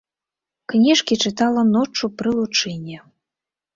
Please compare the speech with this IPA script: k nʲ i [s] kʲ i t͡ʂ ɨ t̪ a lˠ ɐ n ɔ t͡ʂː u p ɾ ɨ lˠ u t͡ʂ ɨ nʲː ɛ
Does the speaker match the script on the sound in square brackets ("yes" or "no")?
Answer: no